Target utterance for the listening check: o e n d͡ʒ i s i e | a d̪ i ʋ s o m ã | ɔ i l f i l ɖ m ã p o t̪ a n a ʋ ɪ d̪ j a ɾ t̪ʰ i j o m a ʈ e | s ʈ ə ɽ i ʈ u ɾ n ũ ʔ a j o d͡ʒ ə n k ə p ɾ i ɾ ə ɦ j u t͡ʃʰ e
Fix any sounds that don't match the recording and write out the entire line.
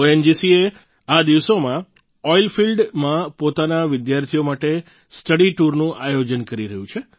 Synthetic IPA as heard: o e n d͡ʒ i s i e | a d̪ i ʋ s o m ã | ɔ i l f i l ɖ m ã p o t̪ a n a ʋ ɪ d̪ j a ɾ t̪ʰ i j o m a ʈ e | s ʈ ə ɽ i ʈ u ɾ n ũ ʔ a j o d͡ʒ ə n k ə ɾ i ɾ ə ɦ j ũ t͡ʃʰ e